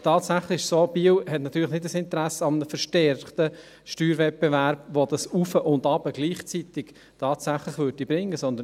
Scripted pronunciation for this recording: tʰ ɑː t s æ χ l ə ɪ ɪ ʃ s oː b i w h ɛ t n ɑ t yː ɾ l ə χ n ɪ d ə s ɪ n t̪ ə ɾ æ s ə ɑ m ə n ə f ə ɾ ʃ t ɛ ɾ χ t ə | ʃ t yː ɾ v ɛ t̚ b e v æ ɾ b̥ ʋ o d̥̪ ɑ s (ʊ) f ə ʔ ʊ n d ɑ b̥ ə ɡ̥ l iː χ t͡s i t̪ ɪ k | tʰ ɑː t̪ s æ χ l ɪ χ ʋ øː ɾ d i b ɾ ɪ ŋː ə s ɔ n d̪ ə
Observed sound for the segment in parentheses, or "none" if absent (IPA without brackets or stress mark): u